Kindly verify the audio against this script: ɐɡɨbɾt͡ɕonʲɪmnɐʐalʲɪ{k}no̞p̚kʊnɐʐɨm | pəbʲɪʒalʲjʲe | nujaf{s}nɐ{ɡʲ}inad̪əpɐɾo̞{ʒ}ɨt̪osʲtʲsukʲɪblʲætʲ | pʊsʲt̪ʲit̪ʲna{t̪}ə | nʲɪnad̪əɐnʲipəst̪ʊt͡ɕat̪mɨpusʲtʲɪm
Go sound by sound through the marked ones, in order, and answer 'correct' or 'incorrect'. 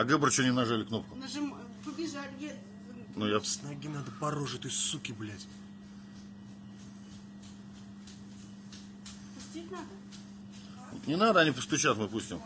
correct, correct, correct, incorrect: ʐ, incorrect: d̪

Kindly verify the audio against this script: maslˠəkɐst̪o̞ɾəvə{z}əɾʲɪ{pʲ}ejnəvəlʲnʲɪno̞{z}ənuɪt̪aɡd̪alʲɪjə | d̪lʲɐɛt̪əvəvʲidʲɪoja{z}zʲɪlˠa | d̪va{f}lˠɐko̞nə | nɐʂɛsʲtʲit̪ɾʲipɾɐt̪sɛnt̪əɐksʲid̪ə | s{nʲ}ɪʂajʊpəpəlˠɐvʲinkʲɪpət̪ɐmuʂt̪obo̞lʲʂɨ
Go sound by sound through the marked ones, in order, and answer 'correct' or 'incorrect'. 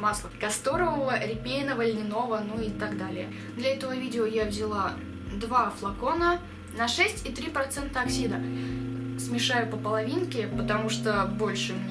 incorrect: v, correct, incorrect: v, incorrect: v, correct, incorrect: mʲ

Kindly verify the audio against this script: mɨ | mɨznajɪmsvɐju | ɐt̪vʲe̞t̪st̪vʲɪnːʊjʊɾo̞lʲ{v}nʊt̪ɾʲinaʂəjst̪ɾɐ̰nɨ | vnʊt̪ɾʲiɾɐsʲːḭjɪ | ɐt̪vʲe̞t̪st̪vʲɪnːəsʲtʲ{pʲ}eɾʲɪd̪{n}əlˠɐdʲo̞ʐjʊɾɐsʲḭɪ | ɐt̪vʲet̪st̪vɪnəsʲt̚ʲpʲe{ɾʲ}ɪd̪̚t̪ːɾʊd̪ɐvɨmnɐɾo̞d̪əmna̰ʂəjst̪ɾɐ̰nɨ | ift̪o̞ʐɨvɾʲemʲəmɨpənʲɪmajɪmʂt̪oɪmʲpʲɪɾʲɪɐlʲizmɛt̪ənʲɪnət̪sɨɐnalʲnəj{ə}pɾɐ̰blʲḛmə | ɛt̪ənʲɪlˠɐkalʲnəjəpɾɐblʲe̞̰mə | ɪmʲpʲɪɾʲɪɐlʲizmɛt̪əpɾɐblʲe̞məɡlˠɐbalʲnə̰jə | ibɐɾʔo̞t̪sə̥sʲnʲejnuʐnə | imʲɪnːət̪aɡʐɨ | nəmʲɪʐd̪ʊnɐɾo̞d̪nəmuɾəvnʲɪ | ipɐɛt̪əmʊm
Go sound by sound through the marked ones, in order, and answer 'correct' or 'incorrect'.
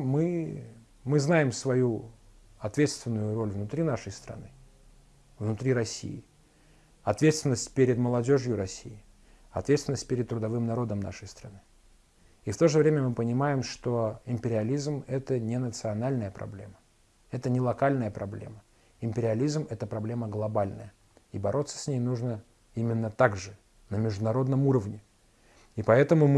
correct, correct, incorrect: m, correct, correct

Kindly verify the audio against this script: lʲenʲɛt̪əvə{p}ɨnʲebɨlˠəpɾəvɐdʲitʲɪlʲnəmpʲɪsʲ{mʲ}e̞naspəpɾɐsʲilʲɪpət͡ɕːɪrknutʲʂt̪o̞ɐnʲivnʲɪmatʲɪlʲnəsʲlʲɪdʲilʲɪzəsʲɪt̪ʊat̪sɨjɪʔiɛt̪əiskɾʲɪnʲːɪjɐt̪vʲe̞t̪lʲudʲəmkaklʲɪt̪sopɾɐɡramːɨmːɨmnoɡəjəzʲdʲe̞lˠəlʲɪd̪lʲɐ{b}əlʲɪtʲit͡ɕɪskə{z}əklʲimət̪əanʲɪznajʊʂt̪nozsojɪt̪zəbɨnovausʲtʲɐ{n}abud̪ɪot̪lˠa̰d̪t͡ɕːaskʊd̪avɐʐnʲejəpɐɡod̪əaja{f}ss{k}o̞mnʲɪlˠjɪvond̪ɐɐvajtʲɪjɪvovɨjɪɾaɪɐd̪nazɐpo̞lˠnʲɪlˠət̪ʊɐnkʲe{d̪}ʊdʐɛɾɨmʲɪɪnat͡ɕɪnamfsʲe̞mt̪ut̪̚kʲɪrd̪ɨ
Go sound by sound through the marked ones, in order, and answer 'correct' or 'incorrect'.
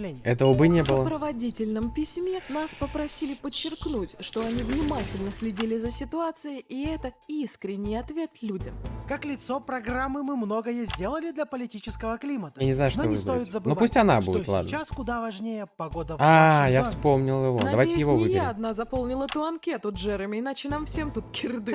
incorrect: b, correct, incorrect: p, incorrect: v, correct, correct, incorrect: p, incorrect: t̪

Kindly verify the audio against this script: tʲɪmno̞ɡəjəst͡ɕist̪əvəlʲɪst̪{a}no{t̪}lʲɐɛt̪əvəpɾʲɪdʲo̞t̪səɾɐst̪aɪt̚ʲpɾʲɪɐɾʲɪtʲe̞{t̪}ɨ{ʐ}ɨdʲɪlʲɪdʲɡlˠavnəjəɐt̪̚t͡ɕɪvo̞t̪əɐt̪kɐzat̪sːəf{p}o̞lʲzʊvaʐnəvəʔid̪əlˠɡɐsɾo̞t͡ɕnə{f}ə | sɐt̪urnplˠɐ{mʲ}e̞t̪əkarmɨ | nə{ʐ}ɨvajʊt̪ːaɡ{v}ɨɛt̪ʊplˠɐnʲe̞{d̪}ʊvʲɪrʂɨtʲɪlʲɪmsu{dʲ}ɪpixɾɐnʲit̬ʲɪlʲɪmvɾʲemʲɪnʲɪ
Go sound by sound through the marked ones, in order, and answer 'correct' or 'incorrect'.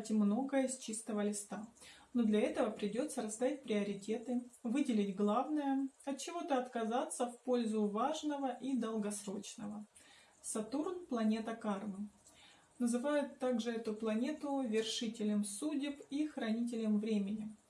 correct, incorrect: d̪, correct, incorrect: v, correct, incorrect: v, incorrect: nʲ, incorrect: z, incorrect: ʐ, incorrect: t̪, correct

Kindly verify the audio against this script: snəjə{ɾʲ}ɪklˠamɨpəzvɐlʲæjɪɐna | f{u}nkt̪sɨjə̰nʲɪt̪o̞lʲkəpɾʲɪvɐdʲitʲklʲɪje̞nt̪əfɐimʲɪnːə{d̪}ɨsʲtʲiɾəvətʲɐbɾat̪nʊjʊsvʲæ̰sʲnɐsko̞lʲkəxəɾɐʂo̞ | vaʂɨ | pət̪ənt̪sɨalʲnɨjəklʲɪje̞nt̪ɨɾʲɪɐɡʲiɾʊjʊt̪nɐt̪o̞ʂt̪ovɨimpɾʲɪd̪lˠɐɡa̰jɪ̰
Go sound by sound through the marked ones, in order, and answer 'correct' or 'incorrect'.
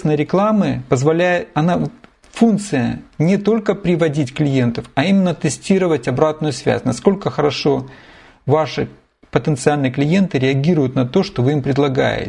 correct, correct, incorrect: t̪

